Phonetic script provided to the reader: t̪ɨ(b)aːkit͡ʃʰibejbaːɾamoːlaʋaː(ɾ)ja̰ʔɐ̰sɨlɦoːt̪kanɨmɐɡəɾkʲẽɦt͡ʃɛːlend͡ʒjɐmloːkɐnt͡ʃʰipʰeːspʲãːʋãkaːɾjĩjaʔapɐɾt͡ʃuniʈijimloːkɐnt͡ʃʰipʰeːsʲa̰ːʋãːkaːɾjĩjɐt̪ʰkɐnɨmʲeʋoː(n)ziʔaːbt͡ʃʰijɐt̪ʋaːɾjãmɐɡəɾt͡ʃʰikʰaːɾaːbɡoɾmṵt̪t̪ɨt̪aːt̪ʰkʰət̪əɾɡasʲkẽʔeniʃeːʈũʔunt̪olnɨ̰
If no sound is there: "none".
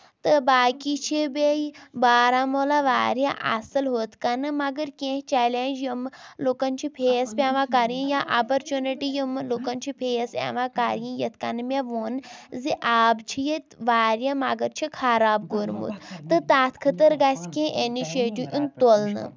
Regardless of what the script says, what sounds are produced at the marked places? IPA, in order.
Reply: b, ɾ, n

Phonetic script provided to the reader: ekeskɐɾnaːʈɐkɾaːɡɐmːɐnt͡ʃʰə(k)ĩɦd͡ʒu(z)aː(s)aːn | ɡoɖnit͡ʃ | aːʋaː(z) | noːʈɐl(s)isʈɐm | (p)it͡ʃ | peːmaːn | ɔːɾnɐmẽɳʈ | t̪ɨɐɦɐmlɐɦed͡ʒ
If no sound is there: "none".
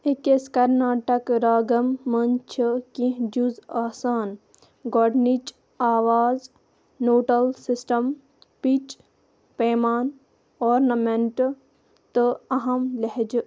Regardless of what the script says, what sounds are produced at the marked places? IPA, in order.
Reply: k, z, s, z, s, p

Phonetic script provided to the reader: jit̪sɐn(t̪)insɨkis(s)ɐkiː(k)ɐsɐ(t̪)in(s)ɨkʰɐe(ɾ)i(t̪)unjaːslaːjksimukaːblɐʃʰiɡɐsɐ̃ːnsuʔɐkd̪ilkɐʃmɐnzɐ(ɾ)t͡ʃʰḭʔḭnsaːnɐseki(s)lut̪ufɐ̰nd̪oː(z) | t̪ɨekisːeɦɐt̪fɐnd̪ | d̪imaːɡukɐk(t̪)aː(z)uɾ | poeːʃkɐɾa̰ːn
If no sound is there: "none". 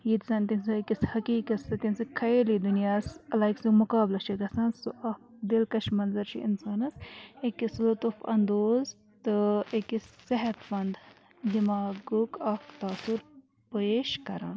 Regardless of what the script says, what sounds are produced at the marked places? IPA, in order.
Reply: t̪, h, k, t̪, s, l, d̪, ɾ, s, z, t̪, s

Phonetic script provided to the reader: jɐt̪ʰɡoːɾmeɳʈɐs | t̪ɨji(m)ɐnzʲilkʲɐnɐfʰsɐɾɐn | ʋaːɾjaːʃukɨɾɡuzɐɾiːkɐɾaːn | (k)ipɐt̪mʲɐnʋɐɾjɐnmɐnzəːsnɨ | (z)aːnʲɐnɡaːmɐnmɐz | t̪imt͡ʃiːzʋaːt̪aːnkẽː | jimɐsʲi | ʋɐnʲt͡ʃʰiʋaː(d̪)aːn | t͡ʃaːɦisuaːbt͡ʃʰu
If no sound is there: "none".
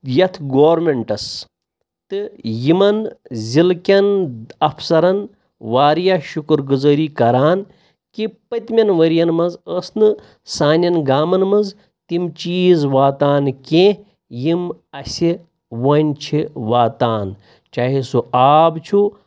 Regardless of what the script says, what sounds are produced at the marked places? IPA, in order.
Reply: m, k, s, t̪

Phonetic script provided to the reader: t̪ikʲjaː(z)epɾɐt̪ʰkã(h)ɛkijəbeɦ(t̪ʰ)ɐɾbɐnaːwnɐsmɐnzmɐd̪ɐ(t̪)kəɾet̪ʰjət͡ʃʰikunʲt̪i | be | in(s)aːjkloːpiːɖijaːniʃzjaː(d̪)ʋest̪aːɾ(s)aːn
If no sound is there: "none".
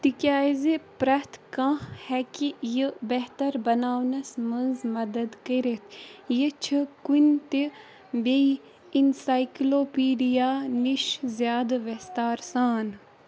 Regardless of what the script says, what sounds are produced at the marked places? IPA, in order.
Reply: z, h, t̪, d̪, s, d̪, s

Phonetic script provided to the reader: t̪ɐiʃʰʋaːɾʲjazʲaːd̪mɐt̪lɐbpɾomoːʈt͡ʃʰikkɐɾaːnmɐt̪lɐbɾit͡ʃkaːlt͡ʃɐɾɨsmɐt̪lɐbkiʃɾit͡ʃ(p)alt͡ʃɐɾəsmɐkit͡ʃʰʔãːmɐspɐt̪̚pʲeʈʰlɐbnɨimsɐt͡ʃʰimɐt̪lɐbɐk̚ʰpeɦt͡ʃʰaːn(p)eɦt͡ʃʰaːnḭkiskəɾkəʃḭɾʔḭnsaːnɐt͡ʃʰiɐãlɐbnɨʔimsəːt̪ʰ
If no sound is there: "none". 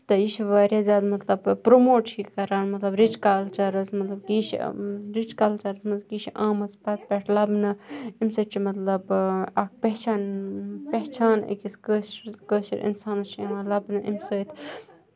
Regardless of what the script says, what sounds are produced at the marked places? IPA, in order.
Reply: k, p

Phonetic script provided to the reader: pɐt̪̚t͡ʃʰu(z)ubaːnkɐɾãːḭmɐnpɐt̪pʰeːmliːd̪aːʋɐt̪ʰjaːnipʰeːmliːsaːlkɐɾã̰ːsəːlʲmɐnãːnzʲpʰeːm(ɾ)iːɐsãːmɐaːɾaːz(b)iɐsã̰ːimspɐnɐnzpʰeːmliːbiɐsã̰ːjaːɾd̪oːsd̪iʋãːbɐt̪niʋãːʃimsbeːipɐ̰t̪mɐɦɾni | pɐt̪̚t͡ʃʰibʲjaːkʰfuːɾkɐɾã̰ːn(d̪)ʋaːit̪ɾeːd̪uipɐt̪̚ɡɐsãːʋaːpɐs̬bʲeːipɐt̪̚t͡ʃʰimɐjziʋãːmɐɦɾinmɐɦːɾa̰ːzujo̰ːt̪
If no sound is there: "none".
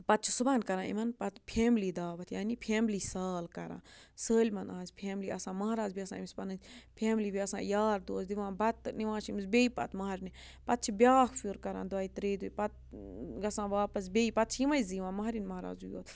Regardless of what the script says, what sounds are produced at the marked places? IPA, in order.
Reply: s, l, b, d̪

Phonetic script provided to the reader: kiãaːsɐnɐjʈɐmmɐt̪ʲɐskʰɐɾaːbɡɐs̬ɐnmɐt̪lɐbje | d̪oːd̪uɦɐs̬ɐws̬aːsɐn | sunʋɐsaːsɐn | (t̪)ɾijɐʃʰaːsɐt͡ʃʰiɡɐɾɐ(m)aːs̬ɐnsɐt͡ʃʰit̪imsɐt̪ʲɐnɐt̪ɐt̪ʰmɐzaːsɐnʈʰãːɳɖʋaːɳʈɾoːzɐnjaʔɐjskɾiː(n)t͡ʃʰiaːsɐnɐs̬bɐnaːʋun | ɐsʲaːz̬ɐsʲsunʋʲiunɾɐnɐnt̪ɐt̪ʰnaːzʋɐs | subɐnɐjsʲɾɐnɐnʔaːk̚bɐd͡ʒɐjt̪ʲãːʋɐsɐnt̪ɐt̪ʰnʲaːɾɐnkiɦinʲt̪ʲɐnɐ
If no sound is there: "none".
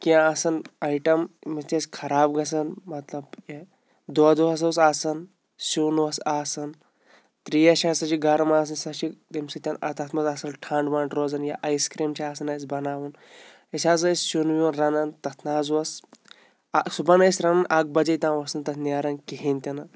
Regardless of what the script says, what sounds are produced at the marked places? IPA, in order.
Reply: t̪, m, m

